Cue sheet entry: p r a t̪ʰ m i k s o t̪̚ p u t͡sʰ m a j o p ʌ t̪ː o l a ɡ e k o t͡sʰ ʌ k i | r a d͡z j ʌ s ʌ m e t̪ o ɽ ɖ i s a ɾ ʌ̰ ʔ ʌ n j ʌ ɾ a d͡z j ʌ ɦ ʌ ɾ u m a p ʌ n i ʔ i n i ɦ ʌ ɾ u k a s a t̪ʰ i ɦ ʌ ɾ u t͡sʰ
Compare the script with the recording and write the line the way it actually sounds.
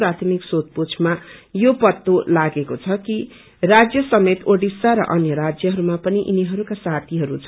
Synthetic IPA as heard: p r a t̪ʰ m i k s o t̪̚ p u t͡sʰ m a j o p ʌ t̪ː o l a ɡ e k o t͡sʰ ʌ k i | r a d͡z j ʌ s ʌ m e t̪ o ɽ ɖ i s a ɾ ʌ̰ ʔ ʌ n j ʌ ɾ a d͡z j ʌ ɦ ʌ ɾ u m a p ʌ n i ʔ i n i ɦ ʌ ɾ u k a s a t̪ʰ i ɦ ʌ ɾ u t͡sʰ